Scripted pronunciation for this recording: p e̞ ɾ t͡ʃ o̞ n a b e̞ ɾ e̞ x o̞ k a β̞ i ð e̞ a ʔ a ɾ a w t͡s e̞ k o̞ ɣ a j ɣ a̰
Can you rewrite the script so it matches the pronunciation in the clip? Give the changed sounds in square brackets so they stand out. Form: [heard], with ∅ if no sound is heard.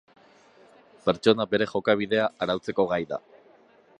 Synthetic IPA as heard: p e̞ ɾ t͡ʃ o̞ n a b e̞ ɾ e̞ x o̞ k a β̞ i ð e̞ a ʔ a ɾ a w t͡s e̞ k o̞ ɣ a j [ð] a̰